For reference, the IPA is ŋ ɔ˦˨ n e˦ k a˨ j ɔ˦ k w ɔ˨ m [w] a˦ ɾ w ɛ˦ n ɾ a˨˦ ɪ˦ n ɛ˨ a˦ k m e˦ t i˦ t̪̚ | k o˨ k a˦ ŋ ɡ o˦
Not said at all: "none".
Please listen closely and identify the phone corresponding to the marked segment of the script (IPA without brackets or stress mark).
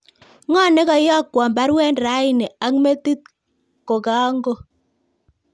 b